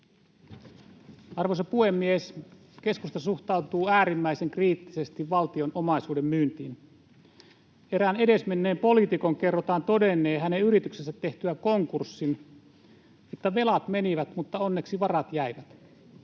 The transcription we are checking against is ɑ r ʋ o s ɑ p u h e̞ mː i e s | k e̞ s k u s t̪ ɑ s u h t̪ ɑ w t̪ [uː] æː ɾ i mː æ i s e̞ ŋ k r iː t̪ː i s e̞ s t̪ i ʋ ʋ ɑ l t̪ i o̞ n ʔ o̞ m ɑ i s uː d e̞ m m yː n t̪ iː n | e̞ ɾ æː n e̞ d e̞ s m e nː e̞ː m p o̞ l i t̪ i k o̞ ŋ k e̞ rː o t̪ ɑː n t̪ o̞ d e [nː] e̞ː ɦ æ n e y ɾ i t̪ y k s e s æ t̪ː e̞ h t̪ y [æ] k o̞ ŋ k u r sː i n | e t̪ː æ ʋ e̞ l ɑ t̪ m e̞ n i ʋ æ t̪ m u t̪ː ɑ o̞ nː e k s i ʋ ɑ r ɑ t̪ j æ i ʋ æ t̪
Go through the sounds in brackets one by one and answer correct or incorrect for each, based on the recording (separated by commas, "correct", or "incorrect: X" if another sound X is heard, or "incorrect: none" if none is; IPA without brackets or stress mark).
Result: correct, correct, correct